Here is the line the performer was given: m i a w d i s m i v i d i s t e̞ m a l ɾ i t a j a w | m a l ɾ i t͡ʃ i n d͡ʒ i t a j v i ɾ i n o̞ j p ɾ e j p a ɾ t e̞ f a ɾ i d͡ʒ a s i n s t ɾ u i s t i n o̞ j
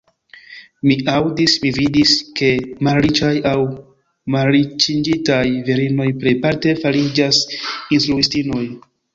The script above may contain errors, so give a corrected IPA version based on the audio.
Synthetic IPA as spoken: m i a w d i s m i v i d i s k e̞ m a l ɾ i t͡ʃ a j a w | m a l ɾ i t͡ʃ i n d͡ʒ i t a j v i ɾ i n o̞ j p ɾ e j p a ɾ t e̞ f a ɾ i d͡ʒ a s i n s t ɾ u i s t i n o̞ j